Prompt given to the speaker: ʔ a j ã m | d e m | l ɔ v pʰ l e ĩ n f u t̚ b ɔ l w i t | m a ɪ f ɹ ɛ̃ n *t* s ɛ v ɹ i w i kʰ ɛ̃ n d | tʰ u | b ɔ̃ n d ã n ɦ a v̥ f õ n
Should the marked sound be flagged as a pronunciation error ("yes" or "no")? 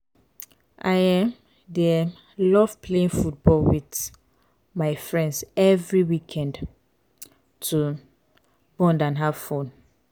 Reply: yes